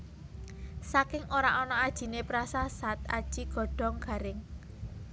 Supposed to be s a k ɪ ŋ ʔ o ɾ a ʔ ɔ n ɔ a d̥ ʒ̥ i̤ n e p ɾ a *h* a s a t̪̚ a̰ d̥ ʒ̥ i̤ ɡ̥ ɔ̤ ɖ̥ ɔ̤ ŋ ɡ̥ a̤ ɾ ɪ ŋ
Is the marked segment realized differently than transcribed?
yes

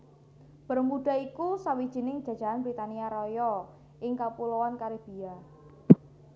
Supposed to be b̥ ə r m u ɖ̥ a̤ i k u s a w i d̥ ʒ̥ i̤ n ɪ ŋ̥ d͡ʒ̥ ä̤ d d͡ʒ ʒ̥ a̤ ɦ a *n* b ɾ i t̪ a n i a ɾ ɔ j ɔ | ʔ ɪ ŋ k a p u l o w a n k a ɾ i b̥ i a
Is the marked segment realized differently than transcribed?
no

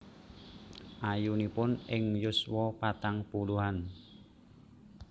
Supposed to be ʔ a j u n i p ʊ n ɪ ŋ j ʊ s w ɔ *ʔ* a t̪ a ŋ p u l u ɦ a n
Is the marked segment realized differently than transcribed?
yes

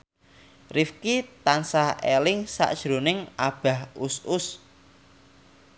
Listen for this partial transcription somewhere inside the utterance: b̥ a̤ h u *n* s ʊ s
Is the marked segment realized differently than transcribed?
yes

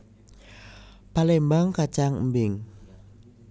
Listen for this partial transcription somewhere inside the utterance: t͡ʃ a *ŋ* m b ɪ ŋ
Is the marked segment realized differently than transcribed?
no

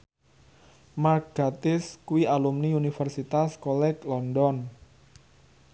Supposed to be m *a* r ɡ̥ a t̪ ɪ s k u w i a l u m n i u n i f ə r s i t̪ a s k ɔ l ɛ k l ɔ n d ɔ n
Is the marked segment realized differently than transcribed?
no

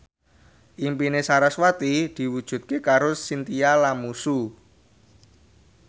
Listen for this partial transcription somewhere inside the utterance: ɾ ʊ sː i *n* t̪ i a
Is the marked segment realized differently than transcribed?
no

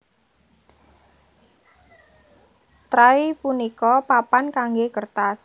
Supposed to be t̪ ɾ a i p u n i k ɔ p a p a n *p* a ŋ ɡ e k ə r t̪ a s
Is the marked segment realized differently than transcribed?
yes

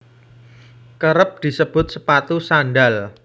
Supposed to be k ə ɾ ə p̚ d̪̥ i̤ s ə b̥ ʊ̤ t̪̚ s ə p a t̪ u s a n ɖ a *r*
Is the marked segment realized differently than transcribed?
yes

